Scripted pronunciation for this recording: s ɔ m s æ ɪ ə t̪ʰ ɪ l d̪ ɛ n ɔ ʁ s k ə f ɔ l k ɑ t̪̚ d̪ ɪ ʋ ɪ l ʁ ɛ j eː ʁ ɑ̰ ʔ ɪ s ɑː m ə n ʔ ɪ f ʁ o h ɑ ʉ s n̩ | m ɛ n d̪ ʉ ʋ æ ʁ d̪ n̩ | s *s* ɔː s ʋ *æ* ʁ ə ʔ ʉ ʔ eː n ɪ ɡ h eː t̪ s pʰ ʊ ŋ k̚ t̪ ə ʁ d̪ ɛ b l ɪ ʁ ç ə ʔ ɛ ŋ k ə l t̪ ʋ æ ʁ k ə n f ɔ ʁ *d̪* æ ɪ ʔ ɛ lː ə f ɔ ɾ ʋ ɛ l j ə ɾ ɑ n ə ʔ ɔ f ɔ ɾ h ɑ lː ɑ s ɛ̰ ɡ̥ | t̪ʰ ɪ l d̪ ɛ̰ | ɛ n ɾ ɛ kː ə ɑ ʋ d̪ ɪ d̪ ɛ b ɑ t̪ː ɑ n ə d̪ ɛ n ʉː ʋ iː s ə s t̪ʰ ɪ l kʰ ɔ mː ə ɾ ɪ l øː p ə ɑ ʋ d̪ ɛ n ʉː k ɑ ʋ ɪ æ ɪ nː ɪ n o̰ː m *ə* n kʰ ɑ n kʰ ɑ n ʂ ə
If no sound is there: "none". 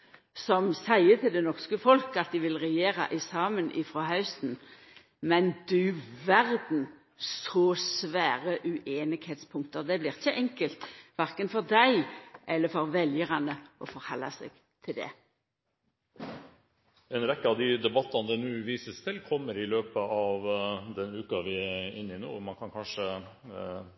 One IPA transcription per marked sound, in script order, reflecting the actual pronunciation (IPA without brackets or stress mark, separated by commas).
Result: s, æː, d̪, ɑ